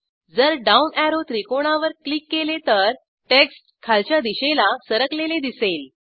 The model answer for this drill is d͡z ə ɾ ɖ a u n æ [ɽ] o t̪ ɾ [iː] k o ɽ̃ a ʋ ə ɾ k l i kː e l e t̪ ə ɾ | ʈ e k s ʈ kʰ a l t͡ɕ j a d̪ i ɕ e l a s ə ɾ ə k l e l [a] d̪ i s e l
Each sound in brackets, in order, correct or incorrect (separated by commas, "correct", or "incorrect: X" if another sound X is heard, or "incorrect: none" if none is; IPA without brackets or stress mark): incorrect: ɾ, incorrect: i, incorrect: e